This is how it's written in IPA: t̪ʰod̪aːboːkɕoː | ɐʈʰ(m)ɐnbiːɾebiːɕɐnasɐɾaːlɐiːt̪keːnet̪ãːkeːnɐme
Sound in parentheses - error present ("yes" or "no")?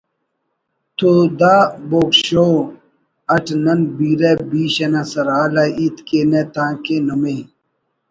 yes